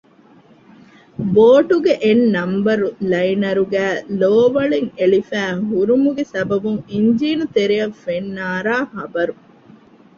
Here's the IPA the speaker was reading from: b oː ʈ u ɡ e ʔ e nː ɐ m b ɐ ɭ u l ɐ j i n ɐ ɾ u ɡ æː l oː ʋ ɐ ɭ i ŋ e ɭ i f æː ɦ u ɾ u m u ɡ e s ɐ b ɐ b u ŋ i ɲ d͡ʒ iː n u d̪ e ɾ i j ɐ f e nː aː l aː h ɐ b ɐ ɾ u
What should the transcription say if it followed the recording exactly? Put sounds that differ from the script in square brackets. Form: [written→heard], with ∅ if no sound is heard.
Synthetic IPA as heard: b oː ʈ u ɡ e ʔ e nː ɐ m b ɐ [ɭ→ɾ] u l ɐ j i n ɐ ɾ u ɡ æː l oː ʋ ɐ ɭ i ŋ e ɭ i f æː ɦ u ɾ u m u ɡ e s ɐ b ɐ b u ŋ i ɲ d͡ʒ iː n u [d̪→t̪] e ɾ i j ɐ f e nː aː [l→ɾ] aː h ɐ b ɐ ɾ u

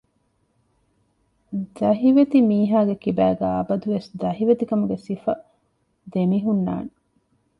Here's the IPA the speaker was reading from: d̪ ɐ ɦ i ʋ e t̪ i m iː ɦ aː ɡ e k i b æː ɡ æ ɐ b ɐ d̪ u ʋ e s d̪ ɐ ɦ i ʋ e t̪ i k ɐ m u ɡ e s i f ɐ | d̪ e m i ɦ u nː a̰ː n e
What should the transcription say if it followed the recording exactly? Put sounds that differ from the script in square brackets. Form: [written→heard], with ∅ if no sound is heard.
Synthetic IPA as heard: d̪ ɐ ɦ i ʋ e t̪ i m iː ɦ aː ɡ e k i b æː ɡ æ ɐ b ɐ d̪ u ʋ e s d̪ ɐ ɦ i ʋ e t̪ i k ɐ m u ɡ e s i f ɐ | d̪ e m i ɦ u nː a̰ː n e

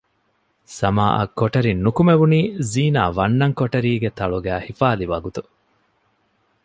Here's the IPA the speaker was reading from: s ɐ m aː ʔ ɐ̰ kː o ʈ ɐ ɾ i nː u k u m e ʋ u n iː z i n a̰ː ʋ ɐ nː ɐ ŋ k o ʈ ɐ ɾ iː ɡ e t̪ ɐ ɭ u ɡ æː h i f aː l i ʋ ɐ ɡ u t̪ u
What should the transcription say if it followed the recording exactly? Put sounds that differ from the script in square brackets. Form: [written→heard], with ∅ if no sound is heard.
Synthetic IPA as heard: s ɐ m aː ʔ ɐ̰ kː o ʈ ɐ ɾ i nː u k u m e ʋ u n iː z [i→iː] n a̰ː ʋ ɐ nː ɐ ŋ k o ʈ ɐ ɾ iː ɡ e t̪ ɐ ɭ u ɡ æː h i f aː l i ʋ ɐ ɡ u t̪ u

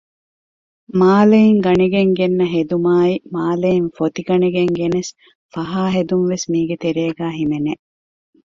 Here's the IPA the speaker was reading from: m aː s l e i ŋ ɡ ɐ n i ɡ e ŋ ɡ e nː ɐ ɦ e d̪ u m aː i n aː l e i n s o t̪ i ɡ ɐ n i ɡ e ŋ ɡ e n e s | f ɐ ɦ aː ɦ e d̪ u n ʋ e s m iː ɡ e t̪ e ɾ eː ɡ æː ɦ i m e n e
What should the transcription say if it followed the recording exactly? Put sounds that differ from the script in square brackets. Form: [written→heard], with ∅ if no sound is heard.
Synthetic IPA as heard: m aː [s→∅] l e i ŋ ɡ ɐ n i ɡ e ŋ ɡ e nː ɐ ɦ e d̪ u m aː i [n→m] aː l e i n [s→f] o t̪ i ɡ ɐ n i ɡ e ŋ ɡ e n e s | f ɐ ɦ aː ɦ e d̪ u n ʋ e s m iː ɡ e t̪ e ɾ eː ɡ æː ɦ i m e n e

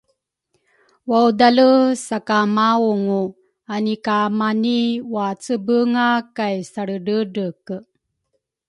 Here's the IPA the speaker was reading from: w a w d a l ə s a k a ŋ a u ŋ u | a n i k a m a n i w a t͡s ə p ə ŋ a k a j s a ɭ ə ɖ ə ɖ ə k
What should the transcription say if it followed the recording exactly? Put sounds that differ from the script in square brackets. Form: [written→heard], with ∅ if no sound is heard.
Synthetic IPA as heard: w a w d a l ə s a k a [ŋ→m] a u ŋ u | a n i k a m a n i w a t͡s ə [p→b] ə ŋ a k a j s a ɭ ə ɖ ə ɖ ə k

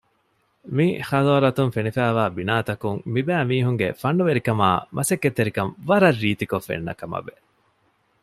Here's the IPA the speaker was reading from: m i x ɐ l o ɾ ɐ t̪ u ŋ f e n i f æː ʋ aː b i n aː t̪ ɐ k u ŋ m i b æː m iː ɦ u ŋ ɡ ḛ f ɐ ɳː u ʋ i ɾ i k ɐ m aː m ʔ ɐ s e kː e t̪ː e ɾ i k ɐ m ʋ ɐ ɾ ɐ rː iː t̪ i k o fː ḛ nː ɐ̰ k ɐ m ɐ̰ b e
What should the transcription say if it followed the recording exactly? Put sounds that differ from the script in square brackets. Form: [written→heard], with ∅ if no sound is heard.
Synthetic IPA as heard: m i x ɐ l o ɾ ɐ t̪ u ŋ f e n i f æː ʋ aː b i n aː t̪ ɐ k u ŋ m i b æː m iː ɦ u ŋ ɡ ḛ f ɐ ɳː u ʋ [i→e] ɾ i k ɐ m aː m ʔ ɐ s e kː e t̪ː e ɾ i k ɐ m ʋ ɐ ɾ ɐ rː iː t̪ i k o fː ḛ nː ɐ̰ k ɐ m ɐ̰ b e

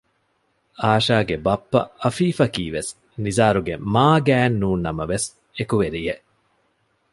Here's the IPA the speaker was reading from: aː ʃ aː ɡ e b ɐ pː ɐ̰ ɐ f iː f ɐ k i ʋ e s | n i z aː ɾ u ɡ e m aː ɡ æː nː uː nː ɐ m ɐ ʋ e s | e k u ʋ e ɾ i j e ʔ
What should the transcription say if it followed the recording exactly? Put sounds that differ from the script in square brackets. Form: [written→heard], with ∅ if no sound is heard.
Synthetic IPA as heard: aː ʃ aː ɡ e b ɐ pː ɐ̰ ɐ f iː f ɐ k [i→iː] ʋ e s | n i z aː ɾ u ɡ e m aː ɡ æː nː uː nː ɐ m ɐ ʋ e s | e k u ʋ e ɾ i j e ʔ

